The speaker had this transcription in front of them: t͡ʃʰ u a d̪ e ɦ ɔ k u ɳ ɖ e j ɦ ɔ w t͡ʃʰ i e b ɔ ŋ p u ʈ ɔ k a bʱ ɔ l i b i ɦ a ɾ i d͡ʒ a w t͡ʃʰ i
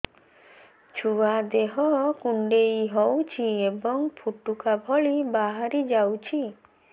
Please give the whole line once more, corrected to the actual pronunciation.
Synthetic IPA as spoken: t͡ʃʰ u a d̪ e ɦ ɔ k u ɳ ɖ e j ɦ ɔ w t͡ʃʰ i e b ɔ ŋ pʰ u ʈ u k a bʱ ɔ ɭ i b a ɦ a ɾ i d͡ʒ a w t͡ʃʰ i